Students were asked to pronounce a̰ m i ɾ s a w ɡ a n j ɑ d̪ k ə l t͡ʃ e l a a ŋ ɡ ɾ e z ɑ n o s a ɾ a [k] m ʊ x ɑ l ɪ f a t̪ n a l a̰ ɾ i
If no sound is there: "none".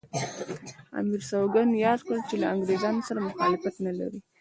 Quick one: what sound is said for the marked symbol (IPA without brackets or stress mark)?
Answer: none